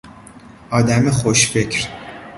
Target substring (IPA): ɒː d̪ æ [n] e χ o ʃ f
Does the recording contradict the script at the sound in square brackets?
yes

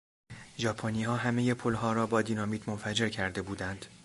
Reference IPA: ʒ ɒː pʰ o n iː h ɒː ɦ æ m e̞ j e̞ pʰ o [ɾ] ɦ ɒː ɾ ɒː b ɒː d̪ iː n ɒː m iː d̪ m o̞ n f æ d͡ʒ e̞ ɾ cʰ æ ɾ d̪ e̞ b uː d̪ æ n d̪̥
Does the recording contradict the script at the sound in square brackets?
yes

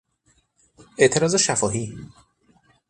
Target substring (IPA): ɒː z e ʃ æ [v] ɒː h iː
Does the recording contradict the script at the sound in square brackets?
yes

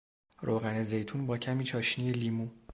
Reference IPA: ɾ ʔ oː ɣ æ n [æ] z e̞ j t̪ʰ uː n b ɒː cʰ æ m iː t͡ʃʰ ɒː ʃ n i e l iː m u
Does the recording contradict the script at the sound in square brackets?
yes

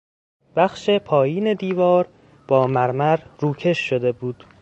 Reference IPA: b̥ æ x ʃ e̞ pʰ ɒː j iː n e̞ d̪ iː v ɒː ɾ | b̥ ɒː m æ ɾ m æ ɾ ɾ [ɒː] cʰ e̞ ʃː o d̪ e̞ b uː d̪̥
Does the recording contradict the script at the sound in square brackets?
yes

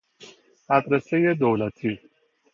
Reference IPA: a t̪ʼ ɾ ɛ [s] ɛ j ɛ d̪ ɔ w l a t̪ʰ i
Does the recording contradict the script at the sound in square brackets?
no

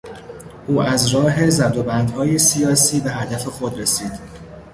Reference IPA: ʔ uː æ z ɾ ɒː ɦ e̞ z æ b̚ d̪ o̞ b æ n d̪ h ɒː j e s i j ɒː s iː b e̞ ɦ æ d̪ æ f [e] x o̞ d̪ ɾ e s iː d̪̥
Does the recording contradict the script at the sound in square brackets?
no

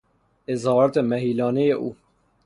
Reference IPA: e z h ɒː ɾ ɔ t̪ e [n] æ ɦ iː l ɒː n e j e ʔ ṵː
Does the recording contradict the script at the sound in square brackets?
yes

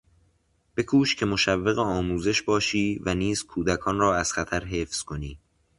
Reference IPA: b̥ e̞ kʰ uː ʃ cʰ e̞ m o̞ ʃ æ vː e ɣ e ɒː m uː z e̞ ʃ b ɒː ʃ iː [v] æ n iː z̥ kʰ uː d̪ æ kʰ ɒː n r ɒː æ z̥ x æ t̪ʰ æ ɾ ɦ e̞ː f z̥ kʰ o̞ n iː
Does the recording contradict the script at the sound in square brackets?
no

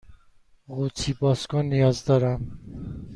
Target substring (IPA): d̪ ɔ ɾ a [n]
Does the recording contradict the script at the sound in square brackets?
yes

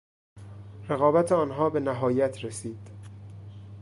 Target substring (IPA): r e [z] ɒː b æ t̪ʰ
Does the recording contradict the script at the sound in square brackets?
yes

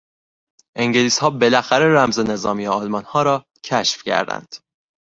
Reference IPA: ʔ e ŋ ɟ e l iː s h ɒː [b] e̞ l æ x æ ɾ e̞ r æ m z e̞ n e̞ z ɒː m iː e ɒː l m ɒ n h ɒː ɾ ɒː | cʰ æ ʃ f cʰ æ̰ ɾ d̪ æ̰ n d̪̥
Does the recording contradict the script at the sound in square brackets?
no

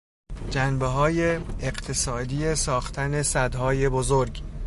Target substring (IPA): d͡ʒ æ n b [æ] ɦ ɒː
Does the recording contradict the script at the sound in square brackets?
yes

